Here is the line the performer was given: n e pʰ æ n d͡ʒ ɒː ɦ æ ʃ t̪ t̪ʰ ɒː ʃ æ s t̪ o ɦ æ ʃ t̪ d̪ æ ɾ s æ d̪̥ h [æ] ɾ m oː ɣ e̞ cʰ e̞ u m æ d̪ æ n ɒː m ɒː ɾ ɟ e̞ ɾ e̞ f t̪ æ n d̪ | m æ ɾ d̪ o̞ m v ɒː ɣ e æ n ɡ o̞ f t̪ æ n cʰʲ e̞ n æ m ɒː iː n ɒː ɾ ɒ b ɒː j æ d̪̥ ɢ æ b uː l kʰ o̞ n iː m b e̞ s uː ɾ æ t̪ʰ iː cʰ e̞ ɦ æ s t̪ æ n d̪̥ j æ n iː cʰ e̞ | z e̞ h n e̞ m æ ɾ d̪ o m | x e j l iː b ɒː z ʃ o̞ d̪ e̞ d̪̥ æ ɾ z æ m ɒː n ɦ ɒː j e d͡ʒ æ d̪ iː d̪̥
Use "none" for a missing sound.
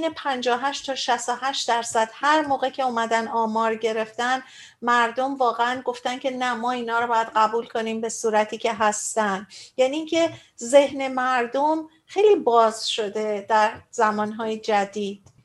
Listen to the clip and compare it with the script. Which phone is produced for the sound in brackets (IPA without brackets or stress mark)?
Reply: æ